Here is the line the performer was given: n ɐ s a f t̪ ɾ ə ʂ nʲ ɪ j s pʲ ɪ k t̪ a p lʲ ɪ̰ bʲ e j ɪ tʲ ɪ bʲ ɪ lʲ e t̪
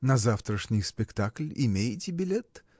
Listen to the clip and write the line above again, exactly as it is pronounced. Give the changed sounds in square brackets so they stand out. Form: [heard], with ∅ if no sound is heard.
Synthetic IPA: n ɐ [z] a f t̪ ɾ ə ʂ nʲ ɪ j s pʲ ɪ k t̪ a [k] lʲ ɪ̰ [mʲ] e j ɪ tʲ ɪ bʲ ɪ lʲ e t̪